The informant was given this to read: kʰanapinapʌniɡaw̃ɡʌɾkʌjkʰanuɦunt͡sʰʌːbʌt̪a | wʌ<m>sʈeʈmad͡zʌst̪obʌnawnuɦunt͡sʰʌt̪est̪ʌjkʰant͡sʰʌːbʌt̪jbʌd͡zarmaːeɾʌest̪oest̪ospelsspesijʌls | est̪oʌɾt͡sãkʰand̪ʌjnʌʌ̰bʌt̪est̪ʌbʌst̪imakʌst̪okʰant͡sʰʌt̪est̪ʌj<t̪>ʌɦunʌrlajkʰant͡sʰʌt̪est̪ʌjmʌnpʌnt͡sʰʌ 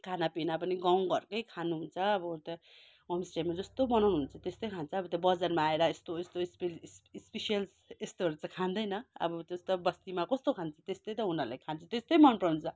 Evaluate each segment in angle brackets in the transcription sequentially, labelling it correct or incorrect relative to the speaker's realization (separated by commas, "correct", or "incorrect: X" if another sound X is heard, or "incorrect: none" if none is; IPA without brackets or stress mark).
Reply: correct, correct